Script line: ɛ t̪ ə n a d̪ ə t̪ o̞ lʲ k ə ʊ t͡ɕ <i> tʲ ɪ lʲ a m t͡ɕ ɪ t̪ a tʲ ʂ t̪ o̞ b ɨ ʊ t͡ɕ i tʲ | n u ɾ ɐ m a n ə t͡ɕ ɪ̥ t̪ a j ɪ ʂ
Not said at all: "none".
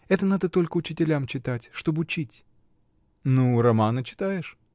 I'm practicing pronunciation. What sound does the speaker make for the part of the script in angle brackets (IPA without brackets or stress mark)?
ɪ